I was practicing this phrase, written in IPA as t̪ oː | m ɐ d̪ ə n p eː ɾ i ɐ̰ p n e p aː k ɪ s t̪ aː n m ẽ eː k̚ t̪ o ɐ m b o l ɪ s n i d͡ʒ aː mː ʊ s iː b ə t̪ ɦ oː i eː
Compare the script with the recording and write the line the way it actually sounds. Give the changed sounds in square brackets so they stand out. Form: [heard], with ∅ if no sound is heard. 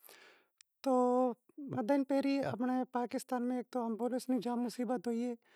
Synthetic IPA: t̪ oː | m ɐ d̪ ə n p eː ɾ i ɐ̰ p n e p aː k ɪ s t̪ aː n m ẽ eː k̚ t̪ o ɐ m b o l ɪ s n i d͡ʒ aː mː ʊ s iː b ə t̪ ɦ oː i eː